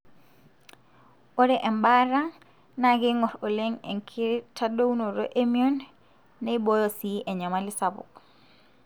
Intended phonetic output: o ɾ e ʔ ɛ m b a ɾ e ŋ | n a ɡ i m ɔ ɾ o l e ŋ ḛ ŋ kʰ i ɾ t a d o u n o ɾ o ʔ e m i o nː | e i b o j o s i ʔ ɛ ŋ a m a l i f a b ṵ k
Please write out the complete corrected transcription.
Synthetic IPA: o ɾ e ʔ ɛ m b a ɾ a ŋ | n a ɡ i ŋ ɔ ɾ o l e ŋ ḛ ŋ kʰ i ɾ t a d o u n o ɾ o ʔ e m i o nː | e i b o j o s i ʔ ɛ ɲ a m a l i s a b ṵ k